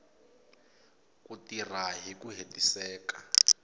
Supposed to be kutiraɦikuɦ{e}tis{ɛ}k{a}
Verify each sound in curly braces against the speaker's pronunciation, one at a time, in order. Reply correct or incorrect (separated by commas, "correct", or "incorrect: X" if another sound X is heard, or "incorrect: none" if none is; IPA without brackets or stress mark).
correct, incorrect: ɛː, correct